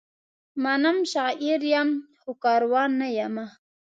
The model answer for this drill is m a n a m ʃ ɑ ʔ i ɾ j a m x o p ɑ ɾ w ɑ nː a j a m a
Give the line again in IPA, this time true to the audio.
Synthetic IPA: m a n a m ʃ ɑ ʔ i ɾ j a m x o k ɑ ɾ w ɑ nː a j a m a